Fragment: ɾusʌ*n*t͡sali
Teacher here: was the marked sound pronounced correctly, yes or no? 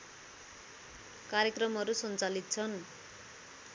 yes